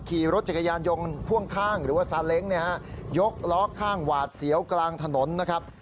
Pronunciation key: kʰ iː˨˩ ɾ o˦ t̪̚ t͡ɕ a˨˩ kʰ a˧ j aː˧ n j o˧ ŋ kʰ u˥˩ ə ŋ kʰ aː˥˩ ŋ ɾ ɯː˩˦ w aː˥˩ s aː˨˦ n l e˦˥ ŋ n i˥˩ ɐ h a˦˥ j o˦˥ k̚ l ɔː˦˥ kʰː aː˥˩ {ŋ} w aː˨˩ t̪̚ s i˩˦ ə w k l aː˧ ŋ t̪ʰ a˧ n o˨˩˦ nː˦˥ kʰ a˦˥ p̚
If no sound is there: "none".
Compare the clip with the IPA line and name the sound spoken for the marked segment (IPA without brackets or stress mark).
ŋ